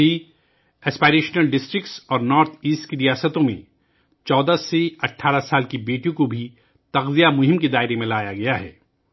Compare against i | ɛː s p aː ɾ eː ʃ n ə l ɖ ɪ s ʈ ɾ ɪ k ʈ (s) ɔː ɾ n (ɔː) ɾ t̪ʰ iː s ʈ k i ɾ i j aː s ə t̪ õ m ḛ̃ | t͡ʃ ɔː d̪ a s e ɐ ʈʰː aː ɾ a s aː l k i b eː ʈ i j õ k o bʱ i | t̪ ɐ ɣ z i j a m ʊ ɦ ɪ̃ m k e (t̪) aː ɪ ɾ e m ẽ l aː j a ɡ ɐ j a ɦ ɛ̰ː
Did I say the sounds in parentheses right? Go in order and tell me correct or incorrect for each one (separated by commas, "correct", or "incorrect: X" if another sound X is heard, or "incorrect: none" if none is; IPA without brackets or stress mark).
correct, correct, incorrect: d̪